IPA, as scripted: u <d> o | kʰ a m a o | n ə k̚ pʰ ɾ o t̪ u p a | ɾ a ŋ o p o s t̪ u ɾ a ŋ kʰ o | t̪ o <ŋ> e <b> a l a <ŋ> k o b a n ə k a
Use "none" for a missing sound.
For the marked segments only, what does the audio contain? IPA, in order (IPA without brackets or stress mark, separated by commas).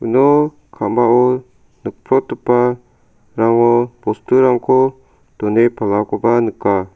n, n, p, none